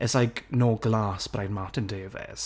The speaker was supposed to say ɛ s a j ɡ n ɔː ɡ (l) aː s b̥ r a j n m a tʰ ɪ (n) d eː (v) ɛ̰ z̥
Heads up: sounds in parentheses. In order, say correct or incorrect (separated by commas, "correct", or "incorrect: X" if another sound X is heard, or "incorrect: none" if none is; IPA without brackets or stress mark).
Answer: correct, correct, correct